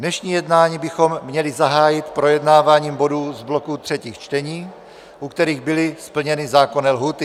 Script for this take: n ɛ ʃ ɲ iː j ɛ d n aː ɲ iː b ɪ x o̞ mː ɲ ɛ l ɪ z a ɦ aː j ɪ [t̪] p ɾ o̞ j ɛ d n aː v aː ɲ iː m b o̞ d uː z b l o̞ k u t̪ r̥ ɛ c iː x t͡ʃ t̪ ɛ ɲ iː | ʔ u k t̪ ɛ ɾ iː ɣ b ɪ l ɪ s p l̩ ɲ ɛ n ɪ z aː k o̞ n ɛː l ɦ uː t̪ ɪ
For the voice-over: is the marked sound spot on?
yes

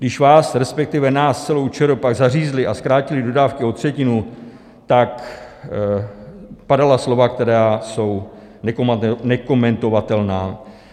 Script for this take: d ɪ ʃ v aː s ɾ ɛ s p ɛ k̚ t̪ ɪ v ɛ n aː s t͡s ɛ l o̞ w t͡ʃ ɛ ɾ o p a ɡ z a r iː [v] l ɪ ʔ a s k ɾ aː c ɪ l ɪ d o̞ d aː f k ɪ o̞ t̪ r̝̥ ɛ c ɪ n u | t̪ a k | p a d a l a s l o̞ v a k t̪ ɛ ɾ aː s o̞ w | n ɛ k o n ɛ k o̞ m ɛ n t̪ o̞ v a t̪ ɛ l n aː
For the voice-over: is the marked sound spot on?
no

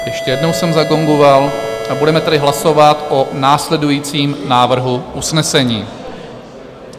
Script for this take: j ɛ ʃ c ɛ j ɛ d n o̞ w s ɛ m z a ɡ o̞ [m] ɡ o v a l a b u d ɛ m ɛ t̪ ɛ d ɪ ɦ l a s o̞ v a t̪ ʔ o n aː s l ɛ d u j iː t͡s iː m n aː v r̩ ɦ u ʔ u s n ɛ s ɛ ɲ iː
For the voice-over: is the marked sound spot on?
no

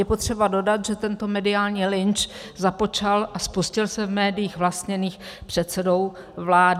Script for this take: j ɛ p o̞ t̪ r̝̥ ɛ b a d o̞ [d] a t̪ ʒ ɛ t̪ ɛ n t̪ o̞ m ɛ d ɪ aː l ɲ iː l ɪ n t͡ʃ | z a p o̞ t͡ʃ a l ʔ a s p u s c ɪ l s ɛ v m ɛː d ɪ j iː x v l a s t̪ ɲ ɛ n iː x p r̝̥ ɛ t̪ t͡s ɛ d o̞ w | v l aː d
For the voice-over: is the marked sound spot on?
yes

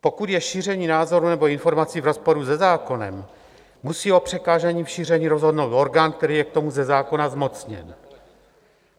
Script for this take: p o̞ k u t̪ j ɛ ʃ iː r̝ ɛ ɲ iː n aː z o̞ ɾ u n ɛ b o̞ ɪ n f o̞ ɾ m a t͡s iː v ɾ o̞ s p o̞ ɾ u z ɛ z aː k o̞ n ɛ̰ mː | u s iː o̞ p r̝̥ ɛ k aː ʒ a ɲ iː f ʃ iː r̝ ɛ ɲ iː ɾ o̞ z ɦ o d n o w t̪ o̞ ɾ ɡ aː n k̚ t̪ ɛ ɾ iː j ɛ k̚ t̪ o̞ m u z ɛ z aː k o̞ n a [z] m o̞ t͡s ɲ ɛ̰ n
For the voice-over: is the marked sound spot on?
yes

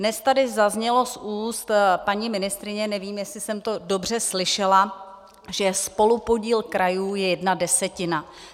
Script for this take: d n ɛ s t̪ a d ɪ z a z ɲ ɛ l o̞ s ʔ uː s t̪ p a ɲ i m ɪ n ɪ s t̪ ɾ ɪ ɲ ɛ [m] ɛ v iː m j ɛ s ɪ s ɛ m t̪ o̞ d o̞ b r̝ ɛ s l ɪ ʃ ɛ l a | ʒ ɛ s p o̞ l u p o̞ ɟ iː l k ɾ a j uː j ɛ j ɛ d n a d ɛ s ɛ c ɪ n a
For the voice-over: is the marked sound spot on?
no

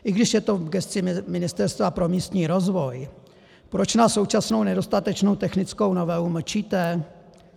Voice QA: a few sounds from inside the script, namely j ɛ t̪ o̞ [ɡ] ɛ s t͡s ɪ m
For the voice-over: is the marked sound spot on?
yes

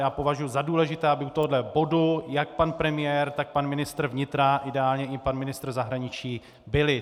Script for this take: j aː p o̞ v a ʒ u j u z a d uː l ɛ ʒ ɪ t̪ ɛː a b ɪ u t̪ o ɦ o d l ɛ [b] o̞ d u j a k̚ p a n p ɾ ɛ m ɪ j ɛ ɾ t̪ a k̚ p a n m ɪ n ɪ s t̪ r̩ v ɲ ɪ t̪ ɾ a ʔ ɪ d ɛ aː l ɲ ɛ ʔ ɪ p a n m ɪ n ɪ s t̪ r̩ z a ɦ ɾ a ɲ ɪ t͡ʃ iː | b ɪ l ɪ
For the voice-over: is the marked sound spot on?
yes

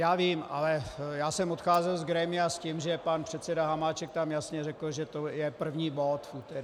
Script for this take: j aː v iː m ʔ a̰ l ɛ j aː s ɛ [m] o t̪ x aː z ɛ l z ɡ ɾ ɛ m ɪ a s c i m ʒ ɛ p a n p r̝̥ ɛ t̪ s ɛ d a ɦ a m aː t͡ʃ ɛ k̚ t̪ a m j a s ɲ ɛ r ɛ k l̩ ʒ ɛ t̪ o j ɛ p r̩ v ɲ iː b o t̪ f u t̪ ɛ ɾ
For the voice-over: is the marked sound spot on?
yes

